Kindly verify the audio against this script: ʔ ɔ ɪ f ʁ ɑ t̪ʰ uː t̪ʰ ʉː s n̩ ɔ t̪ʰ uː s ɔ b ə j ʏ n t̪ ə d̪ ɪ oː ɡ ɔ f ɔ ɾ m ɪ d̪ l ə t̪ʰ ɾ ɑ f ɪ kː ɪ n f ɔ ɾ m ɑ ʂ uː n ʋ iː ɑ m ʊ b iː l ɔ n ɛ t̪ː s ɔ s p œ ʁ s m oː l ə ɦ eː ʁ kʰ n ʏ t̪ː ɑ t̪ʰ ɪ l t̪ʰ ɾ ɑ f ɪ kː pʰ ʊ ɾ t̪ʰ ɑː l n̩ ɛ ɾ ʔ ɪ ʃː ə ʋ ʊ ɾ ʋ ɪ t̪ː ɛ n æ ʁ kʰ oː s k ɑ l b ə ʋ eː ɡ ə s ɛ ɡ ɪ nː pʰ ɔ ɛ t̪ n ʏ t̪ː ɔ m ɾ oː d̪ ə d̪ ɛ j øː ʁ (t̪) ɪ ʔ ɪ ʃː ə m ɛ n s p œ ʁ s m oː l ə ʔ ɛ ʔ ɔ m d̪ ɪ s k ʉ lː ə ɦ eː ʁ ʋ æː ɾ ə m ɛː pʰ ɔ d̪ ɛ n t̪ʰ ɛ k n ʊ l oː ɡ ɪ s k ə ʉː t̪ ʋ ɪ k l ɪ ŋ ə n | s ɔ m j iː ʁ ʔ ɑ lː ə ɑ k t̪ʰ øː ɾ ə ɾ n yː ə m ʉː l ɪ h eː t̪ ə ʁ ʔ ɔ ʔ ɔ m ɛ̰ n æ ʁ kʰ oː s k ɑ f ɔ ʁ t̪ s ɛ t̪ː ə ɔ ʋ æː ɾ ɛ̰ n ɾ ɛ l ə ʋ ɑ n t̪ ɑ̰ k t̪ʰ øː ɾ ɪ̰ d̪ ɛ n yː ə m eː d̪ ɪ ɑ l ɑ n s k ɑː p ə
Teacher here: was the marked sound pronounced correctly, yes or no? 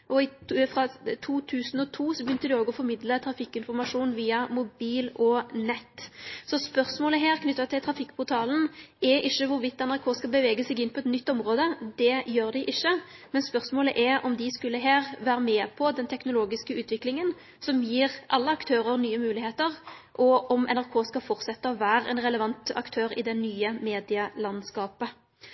no